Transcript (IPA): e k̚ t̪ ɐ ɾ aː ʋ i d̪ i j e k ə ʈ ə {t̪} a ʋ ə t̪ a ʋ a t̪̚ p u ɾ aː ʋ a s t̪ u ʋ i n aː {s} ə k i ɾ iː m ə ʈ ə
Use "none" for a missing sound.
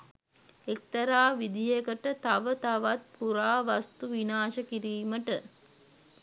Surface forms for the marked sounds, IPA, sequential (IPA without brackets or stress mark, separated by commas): t̪, ʃ